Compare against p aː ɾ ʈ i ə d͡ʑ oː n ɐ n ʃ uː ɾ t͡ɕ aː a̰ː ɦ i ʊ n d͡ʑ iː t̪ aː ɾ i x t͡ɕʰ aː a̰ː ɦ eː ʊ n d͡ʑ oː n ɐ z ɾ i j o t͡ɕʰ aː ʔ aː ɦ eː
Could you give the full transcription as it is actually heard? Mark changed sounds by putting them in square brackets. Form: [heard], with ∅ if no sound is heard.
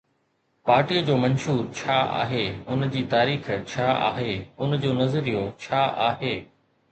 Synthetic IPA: p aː ɾ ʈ i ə d͡ʑ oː [m] ɐ n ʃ uː ɾ [t͡ɕʰ] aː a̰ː ɦ [e] ʊ n d͡ʑ iː t̪ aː ɾ [iː] x t͡ɕʰ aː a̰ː ɦ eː ʊ n d͡ʑ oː n ɐ z ɾ i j o t͡ɕʰ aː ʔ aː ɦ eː

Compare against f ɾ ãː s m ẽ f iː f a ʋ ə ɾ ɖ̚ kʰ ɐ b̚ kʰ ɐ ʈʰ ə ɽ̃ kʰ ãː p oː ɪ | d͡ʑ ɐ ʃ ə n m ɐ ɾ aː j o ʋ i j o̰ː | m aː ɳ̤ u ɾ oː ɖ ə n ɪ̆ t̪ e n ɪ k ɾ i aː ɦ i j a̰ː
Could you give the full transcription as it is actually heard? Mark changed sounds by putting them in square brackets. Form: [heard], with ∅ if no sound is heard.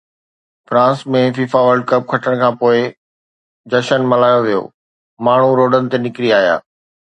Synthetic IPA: f ɾ ãː s m ẽ f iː f a ʋ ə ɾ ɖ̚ [k] ɐ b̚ kʰ ɐ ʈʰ ə ɽ̃ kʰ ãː p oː ɪ | d͡ʑ ɐ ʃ ə n m ɐ [l] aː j o ʋ i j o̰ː | m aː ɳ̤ u ɾ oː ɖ ə n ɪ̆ t̪ e n ɪ k ɾ i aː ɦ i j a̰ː

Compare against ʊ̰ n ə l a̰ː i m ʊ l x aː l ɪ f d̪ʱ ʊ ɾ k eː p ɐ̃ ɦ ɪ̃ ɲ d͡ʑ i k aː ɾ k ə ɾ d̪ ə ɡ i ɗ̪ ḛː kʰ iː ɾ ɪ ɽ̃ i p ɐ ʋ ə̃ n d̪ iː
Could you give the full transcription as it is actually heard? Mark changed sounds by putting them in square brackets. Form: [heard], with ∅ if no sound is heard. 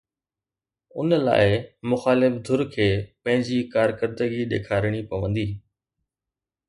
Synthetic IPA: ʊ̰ n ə l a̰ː [ɪ] m ʊ [∅] x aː l ɪ f d̪ʱ ʊ ɾ [kʰ] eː p ɐ̃ ɦ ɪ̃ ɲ d͡ʑ i k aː ɾ k ə ɾ d̪ ə ɡ i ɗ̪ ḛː kʰ [aː] ɾ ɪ ɽ̃ i p ɐ ʋ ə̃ n d̪ iː

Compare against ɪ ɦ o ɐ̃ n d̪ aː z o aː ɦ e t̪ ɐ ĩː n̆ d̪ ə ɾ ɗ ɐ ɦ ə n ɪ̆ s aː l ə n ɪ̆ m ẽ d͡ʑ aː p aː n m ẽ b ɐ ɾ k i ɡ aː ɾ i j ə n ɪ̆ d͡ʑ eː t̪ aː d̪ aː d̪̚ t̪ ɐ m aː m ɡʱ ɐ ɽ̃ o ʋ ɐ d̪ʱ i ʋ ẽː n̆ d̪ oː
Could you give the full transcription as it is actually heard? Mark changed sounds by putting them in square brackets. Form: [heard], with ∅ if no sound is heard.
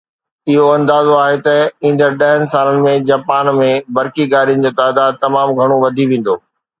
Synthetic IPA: ɪ ɦ o ɐ̃ n d̪ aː z o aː ɦ e t̪ ɐ ĩː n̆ d̪ ə ɾ ɗ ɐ ɦ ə n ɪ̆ s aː l ə n ɪ̆ m ẽ d͡ʑ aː p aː n m ẽ b ɐ ɾ k i ɡ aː ɾ i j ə n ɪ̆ d͡ʑ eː t̪ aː d̪ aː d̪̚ t̪ ɐ m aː m ɡʱ ɐ ɽ̃ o ʋ ɐ d̪ʱ i ʋ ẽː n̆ d̪ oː

